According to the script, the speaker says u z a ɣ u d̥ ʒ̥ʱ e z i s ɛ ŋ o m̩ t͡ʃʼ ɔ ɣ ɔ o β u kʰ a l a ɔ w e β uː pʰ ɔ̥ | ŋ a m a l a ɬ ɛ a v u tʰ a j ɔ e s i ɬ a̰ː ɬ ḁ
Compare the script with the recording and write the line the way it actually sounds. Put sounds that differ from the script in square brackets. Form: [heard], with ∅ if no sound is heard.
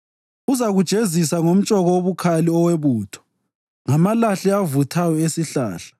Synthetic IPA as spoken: u z a ɣ u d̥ ʒ̥ʱ e z i s [a] ŋ o m̩ t͡ʃʼ ɔ ɣ ɔ o β u kʰ a l [i] ɔ w e β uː [tʰ] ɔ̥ | ŋ a m a l a ɬ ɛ a v u tʰ a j ɔ e s i ɬ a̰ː ɬ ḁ